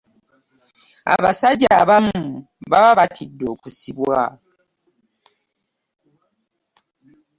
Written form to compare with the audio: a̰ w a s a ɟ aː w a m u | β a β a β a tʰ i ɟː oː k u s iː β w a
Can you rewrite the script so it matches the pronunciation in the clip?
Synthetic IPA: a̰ β a s a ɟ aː β a m u | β a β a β a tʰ i dː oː k u s i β w a

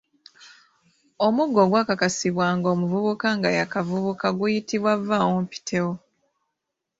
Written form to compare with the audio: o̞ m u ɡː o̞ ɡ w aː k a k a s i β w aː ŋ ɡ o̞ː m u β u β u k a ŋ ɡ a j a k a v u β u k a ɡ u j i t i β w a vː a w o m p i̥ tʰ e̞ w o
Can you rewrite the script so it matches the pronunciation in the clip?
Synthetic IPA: o̞ m u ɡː o̞ ɡ w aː k a k a s i β w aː ŋ ɡ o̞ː m u v u β u k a ŋ ɡ a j a k a v u β u k a ɡ u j i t i β w a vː a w o m p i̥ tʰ e̞ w o

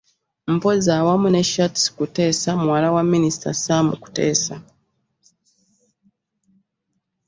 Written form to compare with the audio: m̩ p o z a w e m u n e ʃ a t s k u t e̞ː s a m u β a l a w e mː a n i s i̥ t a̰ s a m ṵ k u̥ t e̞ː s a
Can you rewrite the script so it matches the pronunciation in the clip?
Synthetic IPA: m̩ p o z a w a m u n e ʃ a t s k u t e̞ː s a m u w a l a w a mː i n i s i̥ t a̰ s a m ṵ k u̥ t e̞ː s a

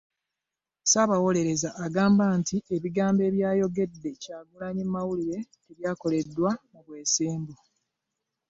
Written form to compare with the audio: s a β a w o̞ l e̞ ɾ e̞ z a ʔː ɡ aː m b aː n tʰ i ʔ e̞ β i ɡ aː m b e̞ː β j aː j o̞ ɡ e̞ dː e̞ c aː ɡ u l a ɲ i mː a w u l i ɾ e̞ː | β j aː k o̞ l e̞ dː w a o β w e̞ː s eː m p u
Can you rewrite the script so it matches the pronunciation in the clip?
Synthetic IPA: s a β a w o̞ l e̞ ɾ e̞ z a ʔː ɡ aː m b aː n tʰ i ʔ e̞ β i ɡ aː m b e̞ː β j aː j o̞ ɡ e̞ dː e̞ c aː ɡ u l a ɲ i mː a w u l i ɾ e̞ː | β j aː k o̞ l e̞ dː w a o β w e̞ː s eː m b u

